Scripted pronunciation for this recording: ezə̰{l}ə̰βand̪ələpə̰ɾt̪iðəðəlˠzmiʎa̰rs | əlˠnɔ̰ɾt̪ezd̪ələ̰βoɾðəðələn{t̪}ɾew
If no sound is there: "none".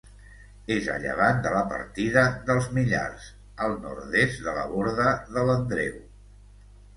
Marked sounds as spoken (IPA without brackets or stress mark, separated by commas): ʎ, d̪